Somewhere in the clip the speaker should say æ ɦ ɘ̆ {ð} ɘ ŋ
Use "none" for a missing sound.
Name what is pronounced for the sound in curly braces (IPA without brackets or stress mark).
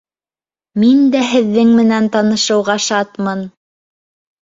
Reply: ðː